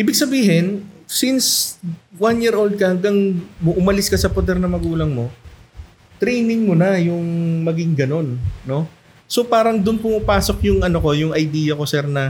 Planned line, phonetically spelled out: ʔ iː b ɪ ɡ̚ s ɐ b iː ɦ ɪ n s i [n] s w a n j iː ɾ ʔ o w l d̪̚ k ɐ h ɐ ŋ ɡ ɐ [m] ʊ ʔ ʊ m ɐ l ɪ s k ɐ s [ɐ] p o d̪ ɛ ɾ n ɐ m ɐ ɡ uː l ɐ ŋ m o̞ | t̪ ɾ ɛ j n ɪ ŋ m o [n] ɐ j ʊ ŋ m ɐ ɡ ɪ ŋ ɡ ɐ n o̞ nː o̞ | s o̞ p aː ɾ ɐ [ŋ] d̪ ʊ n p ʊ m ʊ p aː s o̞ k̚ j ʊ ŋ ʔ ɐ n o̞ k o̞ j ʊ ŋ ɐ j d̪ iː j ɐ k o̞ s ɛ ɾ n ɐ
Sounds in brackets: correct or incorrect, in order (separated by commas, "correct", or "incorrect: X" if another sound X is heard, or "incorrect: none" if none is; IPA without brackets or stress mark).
correct, incorrect: ŋ, correct, correct, correct